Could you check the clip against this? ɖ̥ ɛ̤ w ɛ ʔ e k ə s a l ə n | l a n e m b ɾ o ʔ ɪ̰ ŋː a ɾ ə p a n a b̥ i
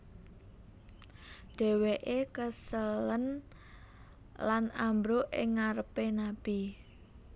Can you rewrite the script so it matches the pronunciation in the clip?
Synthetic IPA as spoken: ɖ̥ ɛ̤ w e ʔ e k ə s ə l ə n | l a n a m b ɾ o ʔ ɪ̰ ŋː a ɾ ə p e n a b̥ i